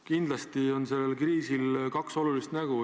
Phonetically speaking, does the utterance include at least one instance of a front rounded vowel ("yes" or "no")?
no